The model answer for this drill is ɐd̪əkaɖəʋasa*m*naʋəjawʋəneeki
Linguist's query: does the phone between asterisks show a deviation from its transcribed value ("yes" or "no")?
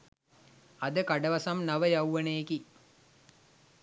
no